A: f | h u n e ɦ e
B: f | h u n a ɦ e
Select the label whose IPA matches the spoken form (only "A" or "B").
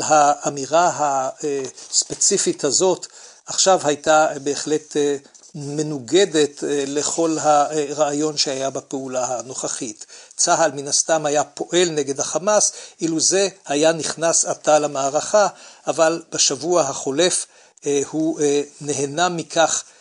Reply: A